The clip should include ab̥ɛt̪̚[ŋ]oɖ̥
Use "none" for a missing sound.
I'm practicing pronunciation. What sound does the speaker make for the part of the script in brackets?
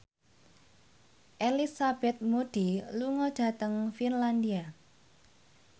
m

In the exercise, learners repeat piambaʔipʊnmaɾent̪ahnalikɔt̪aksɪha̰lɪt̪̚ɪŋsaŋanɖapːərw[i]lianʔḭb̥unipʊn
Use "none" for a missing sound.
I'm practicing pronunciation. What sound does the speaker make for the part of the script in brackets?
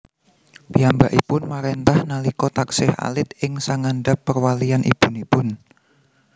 a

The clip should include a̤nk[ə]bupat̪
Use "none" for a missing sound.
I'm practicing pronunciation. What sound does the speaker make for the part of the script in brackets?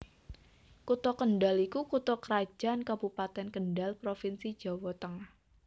a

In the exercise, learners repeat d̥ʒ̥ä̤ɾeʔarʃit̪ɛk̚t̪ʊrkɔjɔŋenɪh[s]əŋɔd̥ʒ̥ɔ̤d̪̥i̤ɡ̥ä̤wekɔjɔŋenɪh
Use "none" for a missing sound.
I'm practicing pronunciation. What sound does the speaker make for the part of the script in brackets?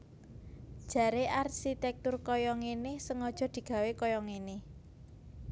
s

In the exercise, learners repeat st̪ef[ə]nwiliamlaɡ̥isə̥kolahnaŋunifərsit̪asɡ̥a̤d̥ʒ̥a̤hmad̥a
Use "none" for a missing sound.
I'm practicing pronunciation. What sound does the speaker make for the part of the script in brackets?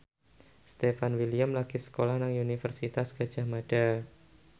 a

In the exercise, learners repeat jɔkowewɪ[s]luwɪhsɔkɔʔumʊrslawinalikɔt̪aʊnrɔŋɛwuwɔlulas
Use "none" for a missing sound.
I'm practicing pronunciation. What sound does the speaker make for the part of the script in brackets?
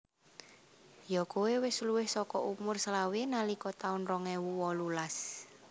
s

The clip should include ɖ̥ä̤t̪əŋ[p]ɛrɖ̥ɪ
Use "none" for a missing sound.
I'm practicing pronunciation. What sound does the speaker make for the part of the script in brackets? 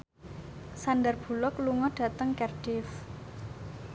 k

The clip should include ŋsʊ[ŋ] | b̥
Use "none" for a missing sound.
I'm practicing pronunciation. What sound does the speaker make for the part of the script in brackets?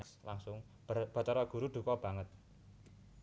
ŋ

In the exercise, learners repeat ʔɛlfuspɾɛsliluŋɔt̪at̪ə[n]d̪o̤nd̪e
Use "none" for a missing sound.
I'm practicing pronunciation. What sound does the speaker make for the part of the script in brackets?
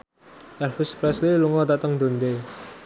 ŋ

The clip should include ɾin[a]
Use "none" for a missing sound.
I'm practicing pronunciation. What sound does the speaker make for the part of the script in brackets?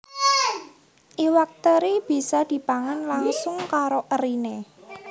e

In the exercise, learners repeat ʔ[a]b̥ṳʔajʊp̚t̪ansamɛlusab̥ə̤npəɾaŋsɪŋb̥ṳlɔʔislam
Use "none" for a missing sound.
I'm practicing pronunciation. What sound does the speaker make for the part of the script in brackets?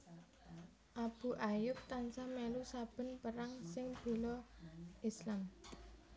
a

